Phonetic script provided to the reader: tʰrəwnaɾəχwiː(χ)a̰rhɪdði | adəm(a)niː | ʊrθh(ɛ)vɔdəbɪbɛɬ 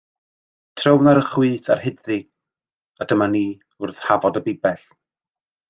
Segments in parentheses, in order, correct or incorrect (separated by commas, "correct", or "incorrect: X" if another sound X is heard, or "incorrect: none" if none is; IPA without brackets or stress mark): incorrect: θ, correct, incorrect: a